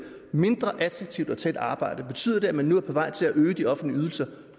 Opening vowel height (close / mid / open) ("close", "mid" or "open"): mid